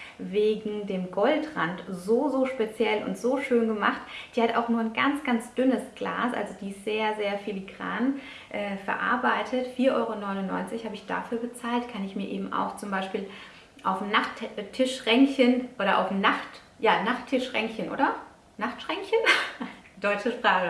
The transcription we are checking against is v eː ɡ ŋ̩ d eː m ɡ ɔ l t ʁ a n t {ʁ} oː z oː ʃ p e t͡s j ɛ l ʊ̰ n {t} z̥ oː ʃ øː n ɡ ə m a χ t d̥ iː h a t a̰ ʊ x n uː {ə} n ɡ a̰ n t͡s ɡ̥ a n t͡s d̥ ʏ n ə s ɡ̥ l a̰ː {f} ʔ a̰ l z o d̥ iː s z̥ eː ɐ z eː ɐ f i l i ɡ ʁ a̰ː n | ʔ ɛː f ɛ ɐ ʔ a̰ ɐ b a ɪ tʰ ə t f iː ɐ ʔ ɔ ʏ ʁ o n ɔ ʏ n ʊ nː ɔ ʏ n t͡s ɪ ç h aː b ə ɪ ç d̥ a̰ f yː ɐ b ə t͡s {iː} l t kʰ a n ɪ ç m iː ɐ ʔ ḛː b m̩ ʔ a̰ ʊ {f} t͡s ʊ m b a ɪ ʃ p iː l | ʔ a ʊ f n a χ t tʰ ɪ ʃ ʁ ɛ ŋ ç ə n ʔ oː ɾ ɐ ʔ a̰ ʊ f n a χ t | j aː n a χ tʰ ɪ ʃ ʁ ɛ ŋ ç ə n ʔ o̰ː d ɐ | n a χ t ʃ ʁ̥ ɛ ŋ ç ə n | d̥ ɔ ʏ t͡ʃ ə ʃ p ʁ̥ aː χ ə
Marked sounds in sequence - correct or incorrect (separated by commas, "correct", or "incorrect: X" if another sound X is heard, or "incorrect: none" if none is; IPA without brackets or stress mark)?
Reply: incorrect: z, correct, incorrect: ɐ, incorrect: s, incorrect: aː, incorrect: x